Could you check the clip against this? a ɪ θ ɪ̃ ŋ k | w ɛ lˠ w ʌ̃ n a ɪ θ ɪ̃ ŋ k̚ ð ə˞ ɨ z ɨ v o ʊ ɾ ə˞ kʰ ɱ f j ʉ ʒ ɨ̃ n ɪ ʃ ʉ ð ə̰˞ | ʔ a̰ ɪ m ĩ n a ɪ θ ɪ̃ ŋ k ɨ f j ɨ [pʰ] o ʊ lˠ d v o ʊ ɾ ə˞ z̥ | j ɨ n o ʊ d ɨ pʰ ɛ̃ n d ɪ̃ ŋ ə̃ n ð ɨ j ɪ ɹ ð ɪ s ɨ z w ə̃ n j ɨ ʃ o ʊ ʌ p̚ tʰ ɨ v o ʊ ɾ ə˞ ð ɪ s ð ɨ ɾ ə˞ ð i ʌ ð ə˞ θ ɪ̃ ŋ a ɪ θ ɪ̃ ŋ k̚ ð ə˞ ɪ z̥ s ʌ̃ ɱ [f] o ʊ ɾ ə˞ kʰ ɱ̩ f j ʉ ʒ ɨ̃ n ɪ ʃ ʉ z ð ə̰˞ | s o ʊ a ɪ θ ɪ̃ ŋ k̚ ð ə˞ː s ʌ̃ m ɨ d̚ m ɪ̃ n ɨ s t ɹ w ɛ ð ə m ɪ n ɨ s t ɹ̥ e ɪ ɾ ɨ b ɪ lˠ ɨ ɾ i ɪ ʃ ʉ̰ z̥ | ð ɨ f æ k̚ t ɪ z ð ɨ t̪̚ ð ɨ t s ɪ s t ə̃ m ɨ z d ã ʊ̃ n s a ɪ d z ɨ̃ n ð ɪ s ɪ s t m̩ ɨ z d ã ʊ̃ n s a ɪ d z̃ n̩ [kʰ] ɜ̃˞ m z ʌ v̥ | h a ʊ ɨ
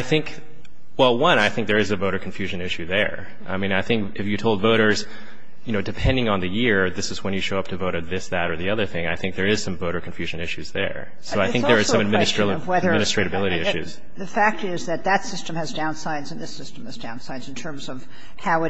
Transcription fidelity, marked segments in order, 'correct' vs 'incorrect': incorrect: tʰ, incorrect: v, incorrect: tʰ

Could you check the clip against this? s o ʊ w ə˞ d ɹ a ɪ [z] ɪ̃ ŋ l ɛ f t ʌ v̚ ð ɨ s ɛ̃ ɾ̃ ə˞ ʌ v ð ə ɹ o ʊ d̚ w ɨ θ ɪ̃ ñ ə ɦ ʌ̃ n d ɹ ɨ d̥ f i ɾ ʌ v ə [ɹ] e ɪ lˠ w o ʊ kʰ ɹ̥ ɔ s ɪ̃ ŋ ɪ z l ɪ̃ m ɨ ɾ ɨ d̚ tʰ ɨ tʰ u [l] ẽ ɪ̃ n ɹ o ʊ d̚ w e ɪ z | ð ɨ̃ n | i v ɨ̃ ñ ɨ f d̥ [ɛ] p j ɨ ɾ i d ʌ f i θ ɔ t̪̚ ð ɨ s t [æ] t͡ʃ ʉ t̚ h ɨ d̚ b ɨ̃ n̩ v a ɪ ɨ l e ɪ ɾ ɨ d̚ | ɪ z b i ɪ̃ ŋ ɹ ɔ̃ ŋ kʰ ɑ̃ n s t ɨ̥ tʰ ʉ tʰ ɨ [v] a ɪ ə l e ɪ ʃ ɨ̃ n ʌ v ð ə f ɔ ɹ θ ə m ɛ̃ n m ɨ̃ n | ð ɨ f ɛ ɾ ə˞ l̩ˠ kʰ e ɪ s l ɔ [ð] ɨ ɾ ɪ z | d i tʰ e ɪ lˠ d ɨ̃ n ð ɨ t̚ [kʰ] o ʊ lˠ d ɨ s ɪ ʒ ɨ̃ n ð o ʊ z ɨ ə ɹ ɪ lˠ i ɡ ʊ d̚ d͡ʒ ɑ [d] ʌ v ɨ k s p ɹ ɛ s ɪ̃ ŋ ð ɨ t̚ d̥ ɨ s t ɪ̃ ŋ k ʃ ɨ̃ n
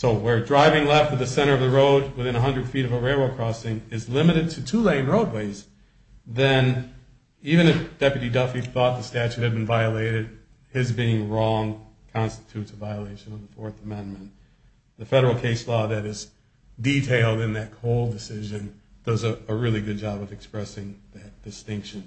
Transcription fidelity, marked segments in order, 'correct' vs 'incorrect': incorrect: v, correct, correct, correct, correct, correct, correct, correct, incorrect: b

